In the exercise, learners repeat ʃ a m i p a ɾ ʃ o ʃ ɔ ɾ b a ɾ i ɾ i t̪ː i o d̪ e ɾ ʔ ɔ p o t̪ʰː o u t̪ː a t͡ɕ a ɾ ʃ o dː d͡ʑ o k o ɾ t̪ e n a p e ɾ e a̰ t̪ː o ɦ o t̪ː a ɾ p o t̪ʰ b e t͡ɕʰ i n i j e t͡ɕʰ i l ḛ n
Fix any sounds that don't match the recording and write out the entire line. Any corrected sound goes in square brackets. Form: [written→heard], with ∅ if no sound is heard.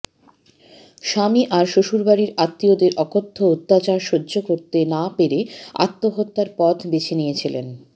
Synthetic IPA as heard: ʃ a m i [p→ʔ] a ɾ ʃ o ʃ [ɔ→u] ɾ b a ɾ i ɾ [i→a] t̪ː i o d̪ e ɾ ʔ ɔ [p→k] o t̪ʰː o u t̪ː a t͡ɕ a ɾ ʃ o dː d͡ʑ o k o ɾ t̪ e n a p e ɾ e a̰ t̪ː o ɦ o t̪ː a ɾ p [o→ɔ] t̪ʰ b e t͡ɕʰ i n i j e t͡ɕʰ i l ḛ n